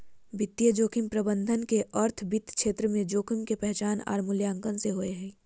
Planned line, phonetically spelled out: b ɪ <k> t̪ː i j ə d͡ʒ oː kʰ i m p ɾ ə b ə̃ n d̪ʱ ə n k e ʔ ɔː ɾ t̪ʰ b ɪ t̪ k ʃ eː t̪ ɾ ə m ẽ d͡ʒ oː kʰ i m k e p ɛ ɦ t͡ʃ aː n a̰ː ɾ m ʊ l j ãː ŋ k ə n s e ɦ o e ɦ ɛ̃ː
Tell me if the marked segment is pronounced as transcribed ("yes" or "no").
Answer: no